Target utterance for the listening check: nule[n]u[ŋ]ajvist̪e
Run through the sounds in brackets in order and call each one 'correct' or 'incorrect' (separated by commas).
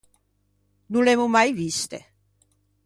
incorrect, incorrect